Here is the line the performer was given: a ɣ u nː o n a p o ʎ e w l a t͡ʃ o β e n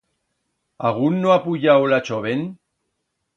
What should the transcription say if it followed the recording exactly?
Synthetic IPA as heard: a ɣ u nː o a p u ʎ a w l a t͡ʃ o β e n